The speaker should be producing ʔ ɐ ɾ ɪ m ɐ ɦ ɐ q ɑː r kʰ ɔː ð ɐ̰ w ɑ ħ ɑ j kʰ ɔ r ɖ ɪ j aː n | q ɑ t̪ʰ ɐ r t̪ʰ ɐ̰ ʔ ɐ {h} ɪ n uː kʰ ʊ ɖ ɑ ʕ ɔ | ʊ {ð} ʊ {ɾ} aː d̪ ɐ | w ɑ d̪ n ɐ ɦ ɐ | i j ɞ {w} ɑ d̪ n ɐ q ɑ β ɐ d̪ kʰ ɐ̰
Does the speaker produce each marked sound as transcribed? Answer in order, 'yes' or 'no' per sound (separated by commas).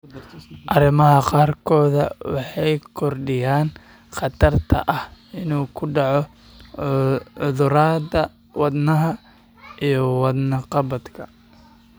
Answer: yes, yes, yes, yes